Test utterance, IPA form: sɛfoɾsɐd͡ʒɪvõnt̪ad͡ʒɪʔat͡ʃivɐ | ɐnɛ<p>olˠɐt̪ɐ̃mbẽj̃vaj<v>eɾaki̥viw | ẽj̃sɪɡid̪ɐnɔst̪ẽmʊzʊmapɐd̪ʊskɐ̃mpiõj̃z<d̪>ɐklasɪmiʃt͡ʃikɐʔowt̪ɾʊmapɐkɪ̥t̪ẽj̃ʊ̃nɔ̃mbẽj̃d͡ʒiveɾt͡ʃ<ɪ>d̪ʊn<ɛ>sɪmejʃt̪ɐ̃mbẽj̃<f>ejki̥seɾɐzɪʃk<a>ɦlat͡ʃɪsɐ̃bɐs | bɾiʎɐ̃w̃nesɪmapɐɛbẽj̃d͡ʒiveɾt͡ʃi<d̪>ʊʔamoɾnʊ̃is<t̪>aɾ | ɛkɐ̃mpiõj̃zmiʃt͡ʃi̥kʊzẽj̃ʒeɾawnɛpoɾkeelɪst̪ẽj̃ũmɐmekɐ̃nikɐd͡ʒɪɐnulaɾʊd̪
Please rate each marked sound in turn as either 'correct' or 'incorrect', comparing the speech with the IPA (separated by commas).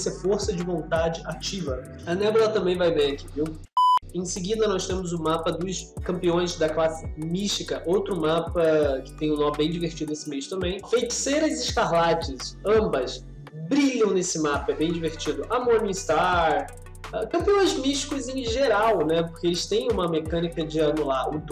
incorrect, correct, correct, incorrect, incorrect, correct, correct, correct, correct